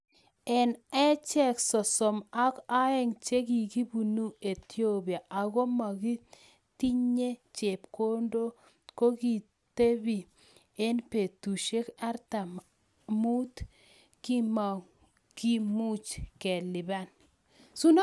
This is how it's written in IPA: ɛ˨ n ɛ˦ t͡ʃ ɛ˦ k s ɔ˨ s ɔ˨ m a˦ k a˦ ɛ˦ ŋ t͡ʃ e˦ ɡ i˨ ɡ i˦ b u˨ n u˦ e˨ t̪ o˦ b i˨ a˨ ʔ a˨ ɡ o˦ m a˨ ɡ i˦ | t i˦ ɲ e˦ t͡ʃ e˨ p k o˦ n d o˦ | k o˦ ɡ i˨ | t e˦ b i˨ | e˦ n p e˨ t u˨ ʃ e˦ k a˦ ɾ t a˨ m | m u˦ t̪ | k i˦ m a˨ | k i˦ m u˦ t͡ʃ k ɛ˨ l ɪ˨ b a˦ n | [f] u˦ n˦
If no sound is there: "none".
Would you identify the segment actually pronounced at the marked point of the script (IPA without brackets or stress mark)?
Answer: s